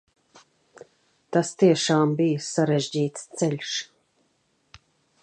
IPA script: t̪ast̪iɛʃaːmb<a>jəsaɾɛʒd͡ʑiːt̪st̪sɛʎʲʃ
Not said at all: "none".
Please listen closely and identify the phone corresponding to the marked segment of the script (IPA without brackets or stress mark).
i